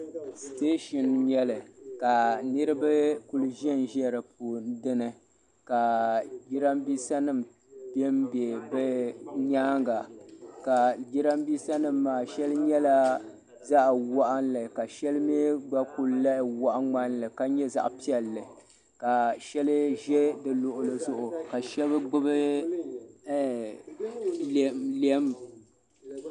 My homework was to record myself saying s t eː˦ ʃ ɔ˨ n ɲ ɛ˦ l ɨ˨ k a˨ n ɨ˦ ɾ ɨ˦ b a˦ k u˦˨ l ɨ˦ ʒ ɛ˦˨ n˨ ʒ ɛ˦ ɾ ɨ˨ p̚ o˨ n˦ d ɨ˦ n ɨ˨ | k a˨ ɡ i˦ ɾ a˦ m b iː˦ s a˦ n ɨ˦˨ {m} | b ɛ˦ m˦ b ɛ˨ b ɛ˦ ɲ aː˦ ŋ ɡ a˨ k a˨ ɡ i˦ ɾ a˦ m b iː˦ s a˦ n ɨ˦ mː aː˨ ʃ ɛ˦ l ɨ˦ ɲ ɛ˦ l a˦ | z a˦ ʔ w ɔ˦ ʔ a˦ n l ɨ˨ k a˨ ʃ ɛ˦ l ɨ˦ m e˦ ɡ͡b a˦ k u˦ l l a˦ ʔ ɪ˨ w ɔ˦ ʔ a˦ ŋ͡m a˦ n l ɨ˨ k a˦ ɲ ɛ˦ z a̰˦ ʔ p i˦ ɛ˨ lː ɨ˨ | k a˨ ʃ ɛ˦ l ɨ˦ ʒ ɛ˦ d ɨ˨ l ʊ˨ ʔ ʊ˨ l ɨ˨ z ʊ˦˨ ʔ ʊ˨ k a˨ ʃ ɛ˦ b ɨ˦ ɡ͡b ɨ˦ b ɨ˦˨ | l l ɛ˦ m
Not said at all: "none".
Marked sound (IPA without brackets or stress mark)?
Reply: m